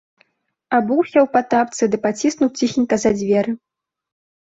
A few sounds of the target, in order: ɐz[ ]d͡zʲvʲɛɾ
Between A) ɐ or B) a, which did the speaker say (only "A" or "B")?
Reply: B